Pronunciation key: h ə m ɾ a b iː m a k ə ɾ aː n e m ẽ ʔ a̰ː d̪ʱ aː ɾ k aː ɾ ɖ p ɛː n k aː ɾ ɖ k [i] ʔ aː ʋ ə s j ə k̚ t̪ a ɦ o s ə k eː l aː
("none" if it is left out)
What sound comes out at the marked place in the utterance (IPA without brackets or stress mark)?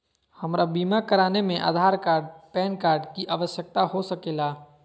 i